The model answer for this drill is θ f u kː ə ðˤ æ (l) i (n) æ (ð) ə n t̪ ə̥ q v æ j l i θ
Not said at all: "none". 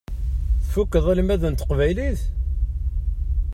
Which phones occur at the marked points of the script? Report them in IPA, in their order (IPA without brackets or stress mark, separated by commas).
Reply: l, m, ð